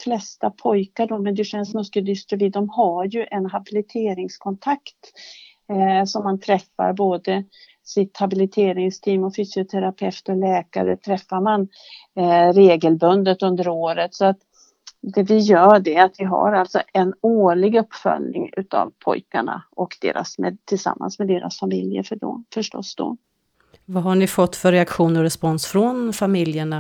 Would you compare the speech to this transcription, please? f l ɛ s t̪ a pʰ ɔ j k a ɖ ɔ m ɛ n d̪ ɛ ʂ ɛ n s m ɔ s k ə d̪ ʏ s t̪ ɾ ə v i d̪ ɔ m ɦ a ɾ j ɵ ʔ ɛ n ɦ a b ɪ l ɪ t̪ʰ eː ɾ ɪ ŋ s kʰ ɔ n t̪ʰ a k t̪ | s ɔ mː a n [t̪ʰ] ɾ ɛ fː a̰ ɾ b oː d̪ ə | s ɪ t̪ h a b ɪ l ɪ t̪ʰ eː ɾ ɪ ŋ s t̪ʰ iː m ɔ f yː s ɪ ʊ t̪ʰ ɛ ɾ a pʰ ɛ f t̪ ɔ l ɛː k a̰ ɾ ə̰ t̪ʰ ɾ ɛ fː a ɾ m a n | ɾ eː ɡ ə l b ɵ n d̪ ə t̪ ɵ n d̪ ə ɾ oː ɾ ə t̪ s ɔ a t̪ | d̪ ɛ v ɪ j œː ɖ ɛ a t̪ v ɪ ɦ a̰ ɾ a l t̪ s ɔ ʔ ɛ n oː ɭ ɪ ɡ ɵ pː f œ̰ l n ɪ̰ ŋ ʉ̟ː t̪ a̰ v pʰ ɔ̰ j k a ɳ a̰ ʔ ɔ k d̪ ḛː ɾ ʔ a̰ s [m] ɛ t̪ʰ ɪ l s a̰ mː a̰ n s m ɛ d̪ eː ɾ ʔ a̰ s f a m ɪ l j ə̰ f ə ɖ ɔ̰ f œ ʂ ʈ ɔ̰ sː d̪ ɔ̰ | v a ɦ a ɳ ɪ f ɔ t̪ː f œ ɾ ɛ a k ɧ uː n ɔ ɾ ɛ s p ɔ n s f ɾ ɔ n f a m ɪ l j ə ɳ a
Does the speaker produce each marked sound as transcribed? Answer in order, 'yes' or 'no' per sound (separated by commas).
yes, yes